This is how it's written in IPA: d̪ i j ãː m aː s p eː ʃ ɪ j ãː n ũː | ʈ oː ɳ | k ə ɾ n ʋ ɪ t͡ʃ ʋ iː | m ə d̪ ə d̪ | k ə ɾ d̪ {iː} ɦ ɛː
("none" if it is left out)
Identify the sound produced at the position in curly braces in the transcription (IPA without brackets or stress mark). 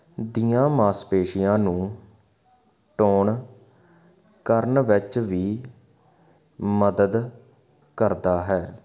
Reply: aː